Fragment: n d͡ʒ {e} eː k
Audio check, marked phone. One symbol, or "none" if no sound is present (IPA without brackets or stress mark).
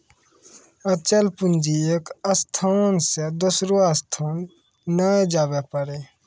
i